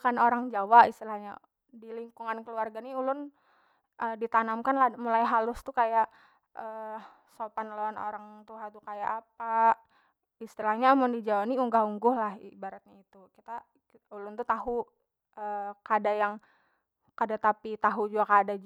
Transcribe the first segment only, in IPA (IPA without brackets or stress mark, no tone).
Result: k